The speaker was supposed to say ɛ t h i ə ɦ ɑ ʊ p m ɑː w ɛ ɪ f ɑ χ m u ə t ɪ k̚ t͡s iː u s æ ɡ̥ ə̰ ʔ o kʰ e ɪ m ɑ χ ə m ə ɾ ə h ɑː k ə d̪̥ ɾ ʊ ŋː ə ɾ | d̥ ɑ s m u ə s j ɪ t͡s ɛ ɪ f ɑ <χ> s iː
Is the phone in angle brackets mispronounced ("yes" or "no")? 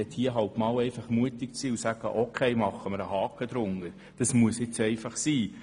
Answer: no